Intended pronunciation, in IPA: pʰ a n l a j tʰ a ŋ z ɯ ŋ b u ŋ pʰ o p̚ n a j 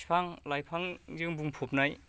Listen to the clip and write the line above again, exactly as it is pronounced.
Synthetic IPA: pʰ a ŋ l a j pʰ a ŋ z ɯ ŋ b u ŋ pʰ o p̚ n a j